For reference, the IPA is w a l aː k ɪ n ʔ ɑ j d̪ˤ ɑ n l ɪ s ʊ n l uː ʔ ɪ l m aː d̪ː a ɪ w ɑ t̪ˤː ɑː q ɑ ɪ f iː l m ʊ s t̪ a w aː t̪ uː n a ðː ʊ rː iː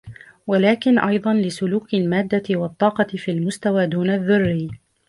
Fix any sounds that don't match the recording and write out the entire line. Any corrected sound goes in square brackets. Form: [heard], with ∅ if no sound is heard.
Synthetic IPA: w a l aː k ɪ n ʔ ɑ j d̪ˤ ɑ n l ɪ s ʊ [∅] l uː [k] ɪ l m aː d̪ː a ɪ w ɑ t̪ˤː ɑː q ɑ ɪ f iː l m ʊ s t̪ a w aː [d̪] uː n a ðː ʊ rː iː